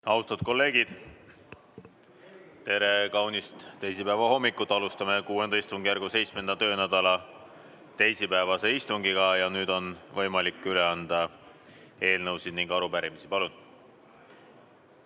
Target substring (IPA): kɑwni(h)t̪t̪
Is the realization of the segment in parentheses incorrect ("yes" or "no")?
yes